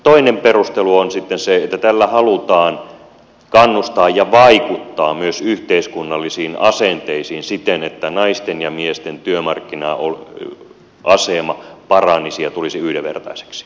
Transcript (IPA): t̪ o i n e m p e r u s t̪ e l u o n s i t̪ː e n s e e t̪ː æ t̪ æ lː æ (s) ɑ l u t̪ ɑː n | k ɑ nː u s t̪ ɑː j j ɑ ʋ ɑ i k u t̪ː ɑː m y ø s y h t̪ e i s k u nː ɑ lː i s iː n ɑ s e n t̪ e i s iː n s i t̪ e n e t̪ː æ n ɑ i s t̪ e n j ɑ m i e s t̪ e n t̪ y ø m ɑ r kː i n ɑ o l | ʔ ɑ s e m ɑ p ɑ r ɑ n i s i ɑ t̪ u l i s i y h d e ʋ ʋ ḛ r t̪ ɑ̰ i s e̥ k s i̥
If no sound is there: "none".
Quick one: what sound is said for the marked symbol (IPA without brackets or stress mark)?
h